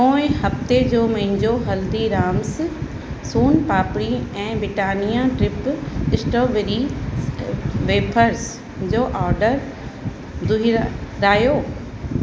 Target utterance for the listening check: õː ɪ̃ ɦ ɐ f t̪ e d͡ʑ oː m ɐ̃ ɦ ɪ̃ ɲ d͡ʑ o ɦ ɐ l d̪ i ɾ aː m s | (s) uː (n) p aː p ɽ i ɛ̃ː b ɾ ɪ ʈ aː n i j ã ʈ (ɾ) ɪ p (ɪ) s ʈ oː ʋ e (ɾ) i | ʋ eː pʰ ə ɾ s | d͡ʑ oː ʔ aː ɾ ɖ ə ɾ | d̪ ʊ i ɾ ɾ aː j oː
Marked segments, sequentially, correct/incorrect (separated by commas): correct, correct, correct, correct, correct